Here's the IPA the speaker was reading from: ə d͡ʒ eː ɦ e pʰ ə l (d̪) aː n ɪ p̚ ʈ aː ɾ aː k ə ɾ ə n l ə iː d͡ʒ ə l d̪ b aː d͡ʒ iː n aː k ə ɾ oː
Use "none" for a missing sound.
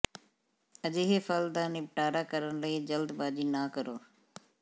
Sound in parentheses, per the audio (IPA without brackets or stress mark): d̪